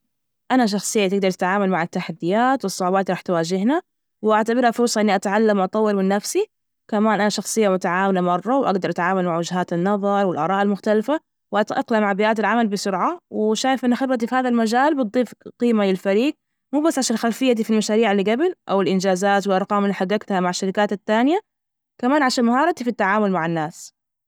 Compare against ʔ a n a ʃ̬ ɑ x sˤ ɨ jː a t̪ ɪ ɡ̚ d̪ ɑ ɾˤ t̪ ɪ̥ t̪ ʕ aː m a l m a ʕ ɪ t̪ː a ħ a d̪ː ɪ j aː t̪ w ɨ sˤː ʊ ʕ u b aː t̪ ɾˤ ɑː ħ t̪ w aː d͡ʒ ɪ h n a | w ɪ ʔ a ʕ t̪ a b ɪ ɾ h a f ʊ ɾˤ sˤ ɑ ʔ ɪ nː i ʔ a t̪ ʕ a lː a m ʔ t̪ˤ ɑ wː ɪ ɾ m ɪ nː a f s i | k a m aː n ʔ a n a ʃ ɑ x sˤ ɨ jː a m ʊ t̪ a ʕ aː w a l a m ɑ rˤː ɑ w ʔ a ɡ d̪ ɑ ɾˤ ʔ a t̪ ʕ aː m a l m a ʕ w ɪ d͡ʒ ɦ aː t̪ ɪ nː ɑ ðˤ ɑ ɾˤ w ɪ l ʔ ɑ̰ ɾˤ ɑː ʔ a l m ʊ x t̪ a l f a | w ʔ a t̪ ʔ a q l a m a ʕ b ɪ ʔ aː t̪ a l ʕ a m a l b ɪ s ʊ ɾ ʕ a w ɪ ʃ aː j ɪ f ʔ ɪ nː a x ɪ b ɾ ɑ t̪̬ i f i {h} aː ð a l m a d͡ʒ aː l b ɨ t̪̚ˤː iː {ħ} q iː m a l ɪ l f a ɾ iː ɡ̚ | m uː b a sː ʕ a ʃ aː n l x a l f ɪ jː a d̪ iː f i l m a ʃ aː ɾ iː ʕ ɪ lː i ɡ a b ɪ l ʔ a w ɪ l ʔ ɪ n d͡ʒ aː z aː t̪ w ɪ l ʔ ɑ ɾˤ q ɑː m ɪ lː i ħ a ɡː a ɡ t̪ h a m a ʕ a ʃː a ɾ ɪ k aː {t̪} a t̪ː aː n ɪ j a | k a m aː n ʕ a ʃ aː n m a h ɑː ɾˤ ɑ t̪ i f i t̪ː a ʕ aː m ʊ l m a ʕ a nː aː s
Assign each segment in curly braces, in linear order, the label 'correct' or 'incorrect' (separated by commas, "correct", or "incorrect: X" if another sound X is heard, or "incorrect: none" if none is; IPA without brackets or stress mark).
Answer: correct, incorrect: f, correct